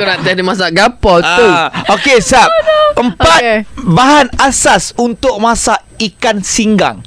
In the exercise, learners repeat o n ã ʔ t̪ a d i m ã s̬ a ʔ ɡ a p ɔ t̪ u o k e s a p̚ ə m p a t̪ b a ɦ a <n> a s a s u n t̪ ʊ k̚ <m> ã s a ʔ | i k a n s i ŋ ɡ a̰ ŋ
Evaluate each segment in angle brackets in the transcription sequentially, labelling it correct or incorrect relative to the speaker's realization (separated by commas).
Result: correct, correct